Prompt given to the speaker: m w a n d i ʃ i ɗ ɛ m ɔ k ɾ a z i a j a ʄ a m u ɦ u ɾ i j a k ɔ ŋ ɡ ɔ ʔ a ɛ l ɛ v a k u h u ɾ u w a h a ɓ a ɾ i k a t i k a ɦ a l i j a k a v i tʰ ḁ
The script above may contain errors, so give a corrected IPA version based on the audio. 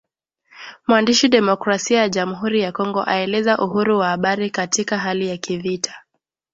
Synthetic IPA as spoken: m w a n d i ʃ i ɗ ɛ m ɔ k ɾ a s i a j a ʄ a m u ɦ u ɾ i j a k ɔ ŋ ɡ ɔ ʔ a ɛ l ɛ z a ʔ u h u ɾ u w a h a ɓ a ɾ i k a t i k a ɦ a l i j a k i v i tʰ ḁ

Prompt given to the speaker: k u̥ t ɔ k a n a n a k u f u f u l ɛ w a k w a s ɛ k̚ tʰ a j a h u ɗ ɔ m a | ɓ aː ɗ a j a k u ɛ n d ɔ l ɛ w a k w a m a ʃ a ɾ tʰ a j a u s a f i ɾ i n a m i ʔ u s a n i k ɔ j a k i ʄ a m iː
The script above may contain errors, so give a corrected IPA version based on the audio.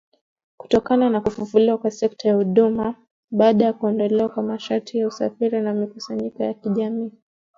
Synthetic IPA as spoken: k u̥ t ɔ k a n a n a k u f u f u l i w a k w a s ɛ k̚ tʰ a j a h u ɗ u m a | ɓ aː ɗ a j a k u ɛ n d ɔ l ɛ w a k w a m a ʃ a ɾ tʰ i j a u s a f i ɾ i n a m i k u s a ɲ i k ɔ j a k i ʄ a m iː

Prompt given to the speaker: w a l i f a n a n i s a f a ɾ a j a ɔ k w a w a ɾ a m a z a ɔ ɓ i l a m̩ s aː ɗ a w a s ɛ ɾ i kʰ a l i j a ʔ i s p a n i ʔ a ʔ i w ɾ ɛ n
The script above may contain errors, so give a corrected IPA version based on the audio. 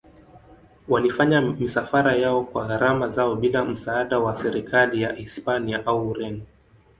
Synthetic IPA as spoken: w a l i f a ɲ a m i s a f a ɾ a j a ɔ k w a ɣ a ɾ a m a z a ɔ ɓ i l a m̩ s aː ɗ a w a s ɛ ɾ i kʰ a l i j a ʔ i s p a n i a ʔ a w ɾ ɛ n

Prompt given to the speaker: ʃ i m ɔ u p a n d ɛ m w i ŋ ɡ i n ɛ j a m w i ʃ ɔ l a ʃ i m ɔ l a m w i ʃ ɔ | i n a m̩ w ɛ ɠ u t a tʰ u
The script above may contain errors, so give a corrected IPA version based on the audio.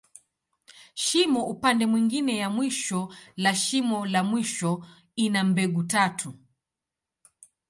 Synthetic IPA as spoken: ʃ i m ɔ u p a n d ɛ m w i ŋ ɡ i n ɛ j a m w i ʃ ɔ l a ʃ i m ɔ l a m w i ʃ ɔ | i n a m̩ b ɛ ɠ u t a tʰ u

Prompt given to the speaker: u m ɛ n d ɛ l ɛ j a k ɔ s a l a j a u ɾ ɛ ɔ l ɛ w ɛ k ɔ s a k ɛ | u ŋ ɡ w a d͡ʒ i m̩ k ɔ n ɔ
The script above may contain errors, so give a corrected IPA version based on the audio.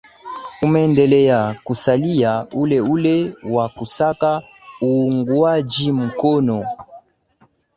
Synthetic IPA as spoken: u m ɛ n d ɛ l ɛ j a k u s a l i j a u l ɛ u l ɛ w a k u s a k a | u ŋ ɡ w a d͡ʒ i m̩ k ɔ n ɔ

